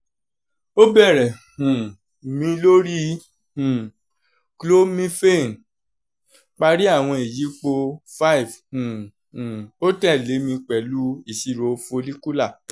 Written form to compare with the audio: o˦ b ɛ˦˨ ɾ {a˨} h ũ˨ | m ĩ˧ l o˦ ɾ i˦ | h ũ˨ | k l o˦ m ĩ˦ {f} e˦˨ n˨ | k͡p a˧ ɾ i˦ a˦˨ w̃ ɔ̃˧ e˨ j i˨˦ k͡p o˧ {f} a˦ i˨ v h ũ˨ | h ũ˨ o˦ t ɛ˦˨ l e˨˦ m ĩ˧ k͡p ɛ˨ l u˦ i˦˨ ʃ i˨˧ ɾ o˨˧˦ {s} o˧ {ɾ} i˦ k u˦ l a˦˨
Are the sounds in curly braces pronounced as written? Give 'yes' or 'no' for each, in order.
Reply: no, yes, yes, no, no

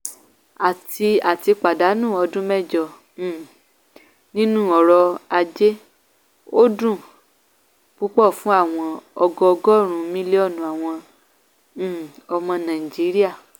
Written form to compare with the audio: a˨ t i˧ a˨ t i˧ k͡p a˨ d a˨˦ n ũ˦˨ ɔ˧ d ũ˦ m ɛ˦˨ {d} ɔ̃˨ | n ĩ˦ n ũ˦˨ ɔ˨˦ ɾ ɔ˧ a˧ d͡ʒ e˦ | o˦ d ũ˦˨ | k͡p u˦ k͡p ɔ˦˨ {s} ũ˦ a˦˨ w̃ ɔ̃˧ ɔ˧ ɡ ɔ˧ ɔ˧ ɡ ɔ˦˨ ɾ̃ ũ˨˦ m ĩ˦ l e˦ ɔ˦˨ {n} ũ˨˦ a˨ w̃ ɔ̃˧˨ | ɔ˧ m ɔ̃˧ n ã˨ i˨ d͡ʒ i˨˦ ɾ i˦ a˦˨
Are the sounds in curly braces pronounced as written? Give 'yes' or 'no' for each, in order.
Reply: no, no, yes

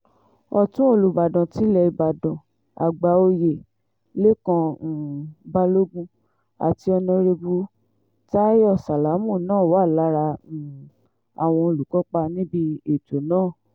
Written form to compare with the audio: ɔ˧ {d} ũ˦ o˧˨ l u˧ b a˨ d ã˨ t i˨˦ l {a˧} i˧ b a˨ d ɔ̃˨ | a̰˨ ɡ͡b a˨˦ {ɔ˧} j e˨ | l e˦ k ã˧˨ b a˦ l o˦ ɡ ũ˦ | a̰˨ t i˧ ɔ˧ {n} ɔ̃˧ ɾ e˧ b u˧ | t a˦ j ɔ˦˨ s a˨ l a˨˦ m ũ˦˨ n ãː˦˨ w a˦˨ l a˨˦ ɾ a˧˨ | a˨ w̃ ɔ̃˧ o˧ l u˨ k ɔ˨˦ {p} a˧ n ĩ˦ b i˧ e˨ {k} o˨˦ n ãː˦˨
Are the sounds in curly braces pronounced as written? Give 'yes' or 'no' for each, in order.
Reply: no, no, no, yes, no, no

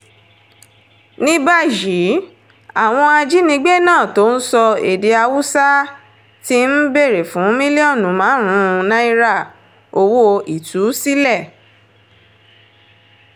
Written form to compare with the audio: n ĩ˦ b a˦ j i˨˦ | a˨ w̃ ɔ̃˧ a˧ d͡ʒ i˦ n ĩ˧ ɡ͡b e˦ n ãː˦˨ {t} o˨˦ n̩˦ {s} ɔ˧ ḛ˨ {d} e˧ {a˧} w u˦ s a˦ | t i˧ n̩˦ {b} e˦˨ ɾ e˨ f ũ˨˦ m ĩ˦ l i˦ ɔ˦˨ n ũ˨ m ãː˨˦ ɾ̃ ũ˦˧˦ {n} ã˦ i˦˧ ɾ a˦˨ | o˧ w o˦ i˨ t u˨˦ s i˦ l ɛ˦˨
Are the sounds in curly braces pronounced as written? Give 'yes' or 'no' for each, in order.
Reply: yes, yes, yes, yes, yes, yes

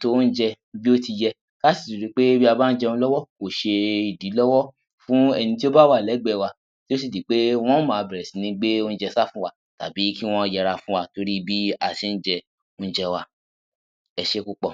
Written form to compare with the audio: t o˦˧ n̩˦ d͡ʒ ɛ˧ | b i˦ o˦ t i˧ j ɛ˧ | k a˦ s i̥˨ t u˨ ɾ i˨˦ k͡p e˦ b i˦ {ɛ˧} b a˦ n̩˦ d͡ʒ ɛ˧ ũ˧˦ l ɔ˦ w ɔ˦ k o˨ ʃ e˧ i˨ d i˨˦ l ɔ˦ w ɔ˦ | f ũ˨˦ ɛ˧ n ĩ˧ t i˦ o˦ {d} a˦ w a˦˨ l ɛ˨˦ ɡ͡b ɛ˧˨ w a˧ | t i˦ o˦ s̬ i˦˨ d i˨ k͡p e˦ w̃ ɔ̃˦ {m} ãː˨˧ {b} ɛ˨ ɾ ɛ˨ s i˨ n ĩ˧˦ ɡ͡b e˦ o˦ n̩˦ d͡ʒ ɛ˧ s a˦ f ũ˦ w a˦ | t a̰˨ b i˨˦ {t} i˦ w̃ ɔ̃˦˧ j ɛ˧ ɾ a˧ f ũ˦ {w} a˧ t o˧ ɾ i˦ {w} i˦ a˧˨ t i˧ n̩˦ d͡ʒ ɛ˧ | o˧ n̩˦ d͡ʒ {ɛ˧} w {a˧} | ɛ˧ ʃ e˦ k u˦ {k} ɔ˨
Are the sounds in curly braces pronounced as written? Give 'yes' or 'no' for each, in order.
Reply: no, no, yes, yes, no, yes, no, yes, yes, no

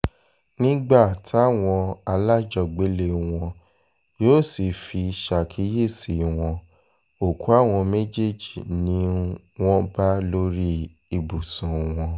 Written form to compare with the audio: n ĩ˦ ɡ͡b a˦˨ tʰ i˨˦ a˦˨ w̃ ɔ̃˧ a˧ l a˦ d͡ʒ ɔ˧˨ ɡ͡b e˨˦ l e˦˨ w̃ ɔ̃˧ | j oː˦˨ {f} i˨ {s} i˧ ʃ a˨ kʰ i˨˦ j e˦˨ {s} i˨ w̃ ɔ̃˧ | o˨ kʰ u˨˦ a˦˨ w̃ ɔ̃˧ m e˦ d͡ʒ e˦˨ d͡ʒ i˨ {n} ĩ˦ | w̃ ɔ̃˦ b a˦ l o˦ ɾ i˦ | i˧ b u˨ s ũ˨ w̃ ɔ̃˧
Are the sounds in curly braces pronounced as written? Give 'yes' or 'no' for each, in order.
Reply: no, no, yes, yes

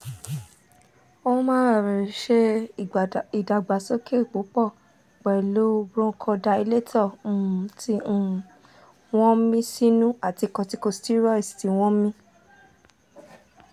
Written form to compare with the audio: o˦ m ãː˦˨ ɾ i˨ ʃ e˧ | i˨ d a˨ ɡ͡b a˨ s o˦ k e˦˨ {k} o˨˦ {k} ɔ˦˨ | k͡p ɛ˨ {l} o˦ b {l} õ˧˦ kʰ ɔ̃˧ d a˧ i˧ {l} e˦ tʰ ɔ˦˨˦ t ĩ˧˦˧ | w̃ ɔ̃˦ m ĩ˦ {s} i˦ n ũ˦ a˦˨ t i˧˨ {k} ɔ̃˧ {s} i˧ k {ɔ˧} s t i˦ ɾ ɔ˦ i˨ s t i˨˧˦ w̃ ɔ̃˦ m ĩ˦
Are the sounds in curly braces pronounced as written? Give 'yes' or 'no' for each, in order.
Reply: no, no, yes, no, yes, yes, yes, no, no

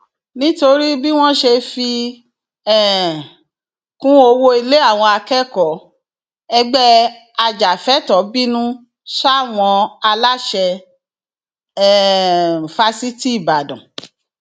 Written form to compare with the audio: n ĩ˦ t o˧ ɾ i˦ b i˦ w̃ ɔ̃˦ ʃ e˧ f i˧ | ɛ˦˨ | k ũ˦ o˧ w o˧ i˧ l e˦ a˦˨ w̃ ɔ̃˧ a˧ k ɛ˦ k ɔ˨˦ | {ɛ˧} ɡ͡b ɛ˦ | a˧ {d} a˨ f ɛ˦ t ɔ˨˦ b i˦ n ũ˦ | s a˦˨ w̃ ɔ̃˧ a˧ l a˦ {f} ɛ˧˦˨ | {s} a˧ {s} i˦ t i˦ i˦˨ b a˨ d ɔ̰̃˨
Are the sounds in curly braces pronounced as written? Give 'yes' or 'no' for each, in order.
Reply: yes, no, no, no, yes

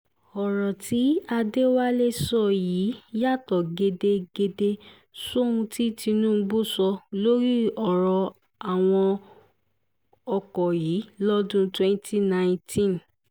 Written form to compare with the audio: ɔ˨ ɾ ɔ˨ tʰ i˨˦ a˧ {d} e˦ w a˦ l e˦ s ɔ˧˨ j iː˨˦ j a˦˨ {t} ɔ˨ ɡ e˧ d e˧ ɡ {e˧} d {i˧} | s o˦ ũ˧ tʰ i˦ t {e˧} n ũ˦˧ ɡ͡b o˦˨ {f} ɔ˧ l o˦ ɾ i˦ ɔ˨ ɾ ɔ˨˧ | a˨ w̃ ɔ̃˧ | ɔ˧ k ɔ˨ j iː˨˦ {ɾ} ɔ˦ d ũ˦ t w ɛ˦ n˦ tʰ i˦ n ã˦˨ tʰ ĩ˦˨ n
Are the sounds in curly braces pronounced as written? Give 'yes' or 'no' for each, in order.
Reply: yes, yes, yes, no, no, no, no

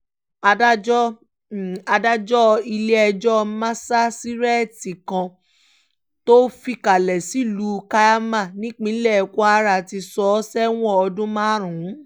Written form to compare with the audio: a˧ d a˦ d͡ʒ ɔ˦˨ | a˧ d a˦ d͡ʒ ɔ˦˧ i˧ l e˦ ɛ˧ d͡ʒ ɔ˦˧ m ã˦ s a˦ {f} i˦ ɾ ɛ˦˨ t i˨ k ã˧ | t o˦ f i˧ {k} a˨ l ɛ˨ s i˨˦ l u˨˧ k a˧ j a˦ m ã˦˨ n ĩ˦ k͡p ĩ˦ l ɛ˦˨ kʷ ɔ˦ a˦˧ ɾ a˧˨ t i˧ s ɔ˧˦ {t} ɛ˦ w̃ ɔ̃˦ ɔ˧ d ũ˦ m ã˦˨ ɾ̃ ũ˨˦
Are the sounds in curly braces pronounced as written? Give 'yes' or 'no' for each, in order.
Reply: no, yes, no

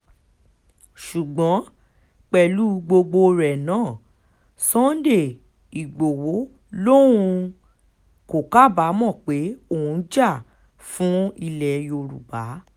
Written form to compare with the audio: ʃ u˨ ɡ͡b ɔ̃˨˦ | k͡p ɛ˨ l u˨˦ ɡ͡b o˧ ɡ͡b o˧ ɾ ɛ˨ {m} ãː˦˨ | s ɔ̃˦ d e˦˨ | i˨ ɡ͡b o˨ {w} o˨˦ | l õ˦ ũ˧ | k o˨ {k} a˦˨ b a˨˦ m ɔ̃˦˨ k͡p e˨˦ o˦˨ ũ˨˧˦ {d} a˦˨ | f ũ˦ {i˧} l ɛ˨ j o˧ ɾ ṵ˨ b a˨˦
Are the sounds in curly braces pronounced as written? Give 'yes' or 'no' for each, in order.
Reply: no, yes, yes, no, yes

